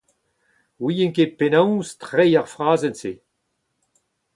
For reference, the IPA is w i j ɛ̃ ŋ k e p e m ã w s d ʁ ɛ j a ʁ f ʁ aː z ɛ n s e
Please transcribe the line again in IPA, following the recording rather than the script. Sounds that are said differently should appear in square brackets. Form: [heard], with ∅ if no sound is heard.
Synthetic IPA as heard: w i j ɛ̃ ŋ k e p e [n] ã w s [t] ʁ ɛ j a ʁ f ʁ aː z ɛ n s e